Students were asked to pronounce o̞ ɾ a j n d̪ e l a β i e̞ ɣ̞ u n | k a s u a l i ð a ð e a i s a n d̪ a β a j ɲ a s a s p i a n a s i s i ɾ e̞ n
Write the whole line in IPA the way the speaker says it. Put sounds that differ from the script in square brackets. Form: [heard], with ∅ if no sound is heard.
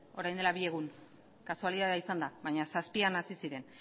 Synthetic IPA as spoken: o̞ ɾ a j n d̪ e l a β i e̞ ɣ̞ u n | k a s u a l i ð a ð e a i s a n d̪ a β a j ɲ a s a s p i a n a s i s i ɾ e̞ n